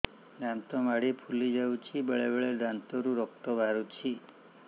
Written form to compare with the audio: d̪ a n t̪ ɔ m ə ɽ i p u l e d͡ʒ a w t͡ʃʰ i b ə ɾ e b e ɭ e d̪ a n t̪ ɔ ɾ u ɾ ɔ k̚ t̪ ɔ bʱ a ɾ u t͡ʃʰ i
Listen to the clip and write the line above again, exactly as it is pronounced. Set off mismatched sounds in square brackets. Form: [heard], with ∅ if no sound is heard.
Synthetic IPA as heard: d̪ a n t̪ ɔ m [a] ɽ i [pʰ] u l [i] d͡ʒ a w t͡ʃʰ i b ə [ɭ] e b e ɭ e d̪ a n t̪ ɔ ɾ u ɾ ɔ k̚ t̪ ɔ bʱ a ɾ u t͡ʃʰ i